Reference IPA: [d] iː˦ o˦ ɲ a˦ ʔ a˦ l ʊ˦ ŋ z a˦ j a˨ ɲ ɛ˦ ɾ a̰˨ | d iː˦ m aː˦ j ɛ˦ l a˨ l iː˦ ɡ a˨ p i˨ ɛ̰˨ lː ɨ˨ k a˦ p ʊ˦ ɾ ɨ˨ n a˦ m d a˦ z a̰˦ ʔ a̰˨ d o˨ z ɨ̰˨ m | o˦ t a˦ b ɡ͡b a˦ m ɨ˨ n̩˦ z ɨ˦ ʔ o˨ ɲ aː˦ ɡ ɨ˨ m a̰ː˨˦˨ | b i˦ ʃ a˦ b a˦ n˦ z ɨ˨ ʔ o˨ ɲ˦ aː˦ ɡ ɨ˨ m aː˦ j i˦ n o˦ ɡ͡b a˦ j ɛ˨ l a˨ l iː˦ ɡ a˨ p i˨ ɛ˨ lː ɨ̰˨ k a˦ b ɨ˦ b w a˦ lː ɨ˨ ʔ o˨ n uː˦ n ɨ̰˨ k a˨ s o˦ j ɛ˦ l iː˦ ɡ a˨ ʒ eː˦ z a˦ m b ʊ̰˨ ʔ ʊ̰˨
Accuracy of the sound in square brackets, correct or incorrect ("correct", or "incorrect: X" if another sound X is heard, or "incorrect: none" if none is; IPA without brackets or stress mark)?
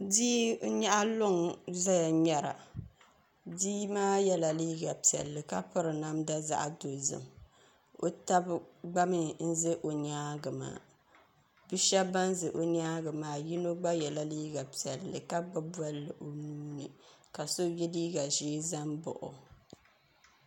correct